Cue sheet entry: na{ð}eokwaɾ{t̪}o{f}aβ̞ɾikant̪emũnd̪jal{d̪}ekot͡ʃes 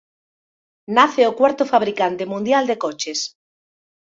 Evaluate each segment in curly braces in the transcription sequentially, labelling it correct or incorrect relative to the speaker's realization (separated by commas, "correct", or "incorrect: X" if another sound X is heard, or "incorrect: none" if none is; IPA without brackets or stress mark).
incorrect: θ, correct, correct, correct